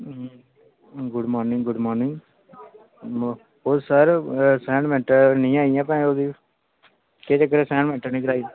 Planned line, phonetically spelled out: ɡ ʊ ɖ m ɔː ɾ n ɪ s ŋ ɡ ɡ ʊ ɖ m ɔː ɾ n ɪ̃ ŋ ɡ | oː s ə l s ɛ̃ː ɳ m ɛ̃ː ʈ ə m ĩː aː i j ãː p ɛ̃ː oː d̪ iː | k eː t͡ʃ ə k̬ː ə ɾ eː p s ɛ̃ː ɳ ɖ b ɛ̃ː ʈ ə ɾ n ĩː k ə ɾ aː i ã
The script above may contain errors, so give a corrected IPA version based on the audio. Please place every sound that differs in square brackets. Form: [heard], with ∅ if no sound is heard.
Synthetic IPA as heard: ɡ ʊ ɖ m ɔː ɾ n ɪ [∅] ŋ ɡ ɡ ʊ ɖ m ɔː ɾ n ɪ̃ ŋ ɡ | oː s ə [ɾ] s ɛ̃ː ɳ m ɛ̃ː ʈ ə [n] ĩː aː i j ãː p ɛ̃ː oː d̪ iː | k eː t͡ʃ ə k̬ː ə ɾ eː [∅] s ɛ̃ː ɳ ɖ [m] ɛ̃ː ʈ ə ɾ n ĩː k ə ɾ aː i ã